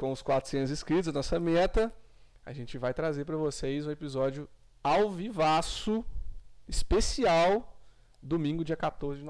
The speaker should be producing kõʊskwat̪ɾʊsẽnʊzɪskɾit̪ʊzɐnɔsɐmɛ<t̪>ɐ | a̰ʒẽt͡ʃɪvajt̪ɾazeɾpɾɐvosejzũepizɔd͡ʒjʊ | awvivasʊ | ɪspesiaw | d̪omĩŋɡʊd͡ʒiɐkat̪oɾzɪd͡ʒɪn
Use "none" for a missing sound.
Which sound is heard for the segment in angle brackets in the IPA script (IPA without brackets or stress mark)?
t̪